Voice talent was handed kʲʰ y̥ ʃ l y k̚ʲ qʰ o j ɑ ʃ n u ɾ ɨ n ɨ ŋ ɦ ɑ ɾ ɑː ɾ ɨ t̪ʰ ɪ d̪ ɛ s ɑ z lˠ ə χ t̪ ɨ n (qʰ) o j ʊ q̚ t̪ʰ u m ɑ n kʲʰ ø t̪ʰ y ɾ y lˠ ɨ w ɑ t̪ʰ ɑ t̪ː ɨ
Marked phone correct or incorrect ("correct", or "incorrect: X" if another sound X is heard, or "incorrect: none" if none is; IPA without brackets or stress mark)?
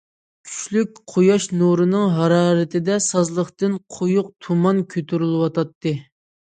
correct